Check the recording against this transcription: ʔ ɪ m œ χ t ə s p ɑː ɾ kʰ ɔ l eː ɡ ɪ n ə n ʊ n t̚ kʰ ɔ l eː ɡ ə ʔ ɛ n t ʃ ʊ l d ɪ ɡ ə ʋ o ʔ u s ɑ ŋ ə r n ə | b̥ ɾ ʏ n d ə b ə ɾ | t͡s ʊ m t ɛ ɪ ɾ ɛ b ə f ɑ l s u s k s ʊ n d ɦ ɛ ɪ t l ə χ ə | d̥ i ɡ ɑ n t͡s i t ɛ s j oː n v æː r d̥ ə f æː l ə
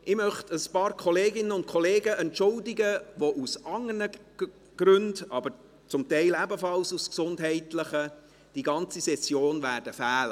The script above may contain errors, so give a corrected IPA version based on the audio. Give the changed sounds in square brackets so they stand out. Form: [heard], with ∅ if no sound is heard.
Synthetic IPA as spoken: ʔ ɪ m œ χ t ə s p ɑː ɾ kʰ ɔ l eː ɡ ɪ n ə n ʊ n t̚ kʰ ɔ l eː ɡ ə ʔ ɛ n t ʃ ʊ l d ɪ ɡ ə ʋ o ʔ u s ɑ ŋ ə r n ə | [ɡ̥] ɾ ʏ n d [ɑ] b ə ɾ | t͡s ʊ m t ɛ ɪ [l] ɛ b ə f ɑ l s u s k s ʊ n d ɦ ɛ ɪ t l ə χ ə | d̥ i ɡ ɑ n t͡s i [s] ɛ s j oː n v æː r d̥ ə f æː l ə